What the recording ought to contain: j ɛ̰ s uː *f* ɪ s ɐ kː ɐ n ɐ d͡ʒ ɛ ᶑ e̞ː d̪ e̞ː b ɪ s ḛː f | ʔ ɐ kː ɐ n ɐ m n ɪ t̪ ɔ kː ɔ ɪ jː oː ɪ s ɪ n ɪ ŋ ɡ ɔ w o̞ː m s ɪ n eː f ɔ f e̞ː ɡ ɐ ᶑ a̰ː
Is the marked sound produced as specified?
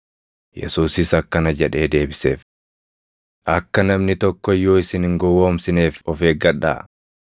no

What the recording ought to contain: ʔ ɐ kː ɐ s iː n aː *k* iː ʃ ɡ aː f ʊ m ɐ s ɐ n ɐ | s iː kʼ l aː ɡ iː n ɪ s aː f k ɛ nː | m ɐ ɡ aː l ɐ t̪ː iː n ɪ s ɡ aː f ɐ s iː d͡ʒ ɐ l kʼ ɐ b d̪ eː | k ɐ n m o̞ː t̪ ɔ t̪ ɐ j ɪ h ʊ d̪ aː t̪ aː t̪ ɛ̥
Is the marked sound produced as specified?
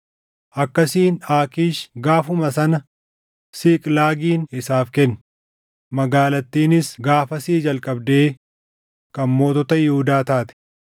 yes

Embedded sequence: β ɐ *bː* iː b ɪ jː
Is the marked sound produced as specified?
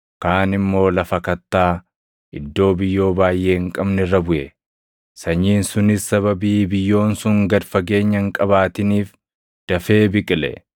no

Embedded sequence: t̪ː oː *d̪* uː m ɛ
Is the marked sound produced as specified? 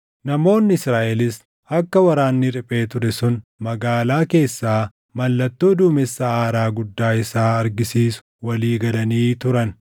yes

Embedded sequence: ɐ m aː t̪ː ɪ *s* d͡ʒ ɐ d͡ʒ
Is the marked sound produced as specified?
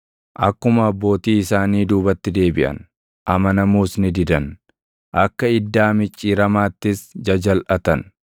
yes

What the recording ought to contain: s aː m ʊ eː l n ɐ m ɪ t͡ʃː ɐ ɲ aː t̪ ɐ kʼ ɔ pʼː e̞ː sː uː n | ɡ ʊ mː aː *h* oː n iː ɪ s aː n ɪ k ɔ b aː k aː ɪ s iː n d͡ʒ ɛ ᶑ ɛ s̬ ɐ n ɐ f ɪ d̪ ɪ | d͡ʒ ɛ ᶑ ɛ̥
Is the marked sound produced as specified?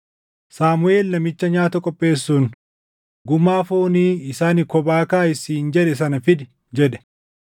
no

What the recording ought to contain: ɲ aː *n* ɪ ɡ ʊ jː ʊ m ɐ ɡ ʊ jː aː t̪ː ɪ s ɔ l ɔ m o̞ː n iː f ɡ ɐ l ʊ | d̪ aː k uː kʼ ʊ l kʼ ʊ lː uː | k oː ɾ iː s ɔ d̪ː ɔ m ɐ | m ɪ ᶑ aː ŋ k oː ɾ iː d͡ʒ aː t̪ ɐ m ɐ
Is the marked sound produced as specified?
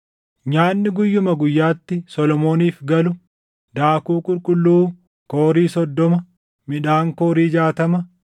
no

